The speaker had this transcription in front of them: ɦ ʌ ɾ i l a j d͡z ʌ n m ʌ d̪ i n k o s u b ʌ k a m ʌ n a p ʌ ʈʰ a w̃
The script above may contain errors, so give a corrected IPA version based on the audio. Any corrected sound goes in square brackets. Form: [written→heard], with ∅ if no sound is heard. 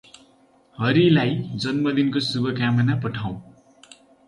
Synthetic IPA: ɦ ʌ ɾ i l a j d͡z ʌ n m ʌ d̪ i n k o s u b ʌ k a m ʌ n a p ʌ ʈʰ a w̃